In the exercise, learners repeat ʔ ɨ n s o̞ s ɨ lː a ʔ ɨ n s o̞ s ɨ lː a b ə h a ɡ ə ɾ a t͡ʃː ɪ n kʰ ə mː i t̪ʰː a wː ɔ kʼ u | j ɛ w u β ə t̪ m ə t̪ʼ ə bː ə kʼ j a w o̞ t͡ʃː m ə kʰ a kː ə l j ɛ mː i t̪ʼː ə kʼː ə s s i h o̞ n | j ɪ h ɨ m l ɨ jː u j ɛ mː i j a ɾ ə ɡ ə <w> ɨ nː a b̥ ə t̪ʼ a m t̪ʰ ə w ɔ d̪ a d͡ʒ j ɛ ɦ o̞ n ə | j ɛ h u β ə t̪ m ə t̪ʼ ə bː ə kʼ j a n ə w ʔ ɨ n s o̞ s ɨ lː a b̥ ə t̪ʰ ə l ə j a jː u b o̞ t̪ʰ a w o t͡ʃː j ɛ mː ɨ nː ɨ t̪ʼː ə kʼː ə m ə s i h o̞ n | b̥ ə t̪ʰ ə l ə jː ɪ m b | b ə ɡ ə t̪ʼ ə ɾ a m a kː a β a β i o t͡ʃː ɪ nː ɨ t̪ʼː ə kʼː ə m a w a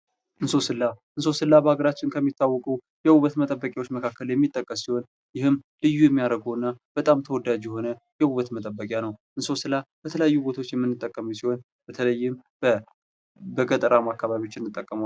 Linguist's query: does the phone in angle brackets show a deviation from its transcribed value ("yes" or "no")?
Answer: no